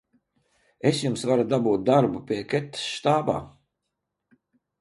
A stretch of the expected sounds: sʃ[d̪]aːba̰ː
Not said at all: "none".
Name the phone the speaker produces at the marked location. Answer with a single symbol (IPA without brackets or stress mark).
t̪